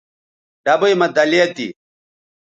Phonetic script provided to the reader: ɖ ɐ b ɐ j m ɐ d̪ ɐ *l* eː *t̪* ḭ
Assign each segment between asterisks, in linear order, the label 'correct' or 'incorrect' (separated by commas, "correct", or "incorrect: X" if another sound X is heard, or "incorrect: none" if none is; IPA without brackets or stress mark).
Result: correct, correct